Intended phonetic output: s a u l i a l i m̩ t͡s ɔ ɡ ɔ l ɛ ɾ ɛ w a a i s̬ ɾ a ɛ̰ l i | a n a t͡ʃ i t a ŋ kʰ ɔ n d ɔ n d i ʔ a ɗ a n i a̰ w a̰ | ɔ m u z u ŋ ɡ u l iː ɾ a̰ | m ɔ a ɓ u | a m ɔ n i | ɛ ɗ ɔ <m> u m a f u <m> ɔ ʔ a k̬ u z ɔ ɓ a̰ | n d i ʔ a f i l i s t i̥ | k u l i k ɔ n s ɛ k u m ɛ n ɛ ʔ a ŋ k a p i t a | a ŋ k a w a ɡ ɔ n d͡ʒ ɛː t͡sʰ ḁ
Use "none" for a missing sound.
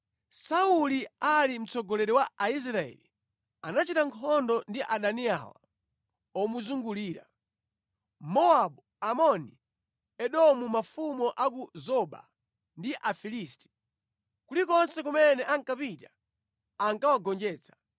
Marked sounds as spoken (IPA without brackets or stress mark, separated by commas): m, m